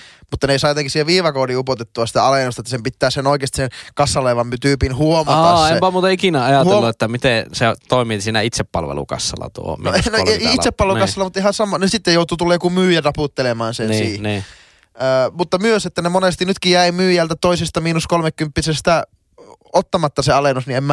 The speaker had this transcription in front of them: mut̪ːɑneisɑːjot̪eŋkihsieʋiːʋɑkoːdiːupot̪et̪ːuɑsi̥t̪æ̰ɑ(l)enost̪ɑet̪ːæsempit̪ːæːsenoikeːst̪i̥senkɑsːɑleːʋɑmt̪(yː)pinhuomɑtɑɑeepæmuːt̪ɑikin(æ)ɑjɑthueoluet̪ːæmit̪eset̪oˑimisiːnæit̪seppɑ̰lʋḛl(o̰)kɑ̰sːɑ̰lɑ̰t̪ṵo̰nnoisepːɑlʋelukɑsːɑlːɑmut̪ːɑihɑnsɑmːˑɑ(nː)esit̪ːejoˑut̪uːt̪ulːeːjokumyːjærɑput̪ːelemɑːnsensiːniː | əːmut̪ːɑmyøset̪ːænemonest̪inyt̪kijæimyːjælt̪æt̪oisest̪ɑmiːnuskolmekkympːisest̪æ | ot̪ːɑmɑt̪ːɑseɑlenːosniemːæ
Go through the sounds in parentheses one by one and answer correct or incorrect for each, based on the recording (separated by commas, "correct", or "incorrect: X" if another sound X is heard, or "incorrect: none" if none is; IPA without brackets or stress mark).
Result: correct, correct, correct, incorrect: ṵ, incorrect: n